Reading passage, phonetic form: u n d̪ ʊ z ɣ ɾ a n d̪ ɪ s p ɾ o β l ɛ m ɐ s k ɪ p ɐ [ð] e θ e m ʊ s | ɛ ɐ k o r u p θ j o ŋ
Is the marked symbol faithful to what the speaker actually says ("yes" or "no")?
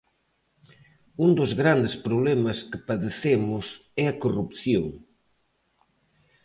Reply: yes